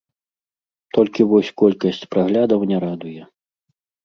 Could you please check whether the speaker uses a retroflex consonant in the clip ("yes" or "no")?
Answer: no